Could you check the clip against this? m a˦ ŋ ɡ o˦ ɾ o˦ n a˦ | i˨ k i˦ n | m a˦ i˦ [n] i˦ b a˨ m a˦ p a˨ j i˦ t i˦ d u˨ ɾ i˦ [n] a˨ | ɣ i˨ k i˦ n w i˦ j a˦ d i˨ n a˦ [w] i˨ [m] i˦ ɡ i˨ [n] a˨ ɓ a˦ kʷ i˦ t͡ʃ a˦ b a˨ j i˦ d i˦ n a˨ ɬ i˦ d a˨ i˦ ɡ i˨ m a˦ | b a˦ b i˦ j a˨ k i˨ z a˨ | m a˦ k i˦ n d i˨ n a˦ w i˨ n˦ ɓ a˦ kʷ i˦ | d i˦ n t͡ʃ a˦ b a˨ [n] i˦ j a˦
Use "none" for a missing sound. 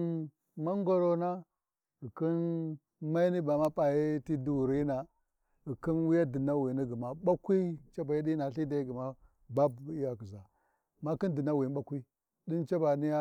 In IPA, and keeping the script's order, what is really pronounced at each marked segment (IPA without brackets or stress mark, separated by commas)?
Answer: n, n, w, n, m, n